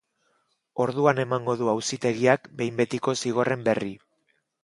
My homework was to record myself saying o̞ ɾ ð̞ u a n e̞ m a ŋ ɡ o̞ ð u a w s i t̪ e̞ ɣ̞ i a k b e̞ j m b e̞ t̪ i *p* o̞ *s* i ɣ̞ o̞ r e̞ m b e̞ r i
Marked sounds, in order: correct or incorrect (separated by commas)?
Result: incorrect, correct